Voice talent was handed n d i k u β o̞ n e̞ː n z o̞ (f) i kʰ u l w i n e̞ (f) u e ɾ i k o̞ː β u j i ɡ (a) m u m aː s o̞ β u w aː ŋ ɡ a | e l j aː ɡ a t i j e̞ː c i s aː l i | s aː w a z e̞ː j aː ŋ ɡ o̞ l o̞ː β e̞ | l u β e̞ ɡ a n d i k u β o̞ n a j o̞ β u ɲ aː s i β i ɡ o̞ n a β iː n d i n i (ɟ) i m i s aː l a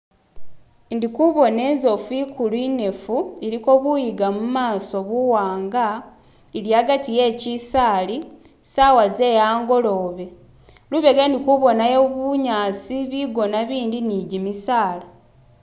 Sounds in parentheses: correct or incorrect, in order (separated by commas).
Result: correct, correct, correct, correct